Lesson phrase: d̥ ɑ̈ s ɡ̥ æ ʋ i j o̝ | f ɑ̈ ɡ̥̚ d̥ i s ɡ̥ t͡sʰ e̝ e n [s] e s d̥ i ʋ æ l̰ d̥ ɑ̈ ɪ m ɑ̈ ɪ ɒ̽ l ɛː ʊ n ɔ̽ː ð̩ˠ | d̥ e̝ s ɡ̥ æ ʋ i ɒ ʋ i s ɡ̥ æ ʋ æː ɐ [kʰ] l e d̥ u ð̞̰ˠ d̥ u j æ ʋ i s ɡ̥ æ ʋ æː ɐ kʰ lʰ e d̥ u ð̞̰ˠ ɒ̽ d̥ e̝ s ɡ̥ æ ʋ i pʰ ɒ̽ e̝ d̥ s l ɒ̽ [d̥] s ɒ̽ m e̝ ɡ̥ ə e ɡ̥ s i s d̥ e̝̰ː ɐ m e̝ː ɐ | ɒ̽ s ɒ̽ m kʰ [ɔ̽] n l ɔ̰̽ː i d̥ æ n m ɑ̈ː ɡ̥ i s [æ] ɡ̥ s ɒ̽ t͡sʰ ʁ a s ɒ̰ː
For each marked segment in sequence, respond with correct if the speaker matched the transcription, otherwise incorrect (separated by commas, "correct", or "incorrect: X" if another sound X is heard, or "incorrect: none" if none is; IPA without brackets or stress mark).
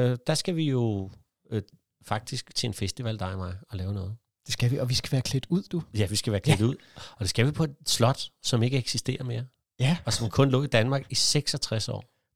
incorrect: f, correct, correct, correct, incorrect: e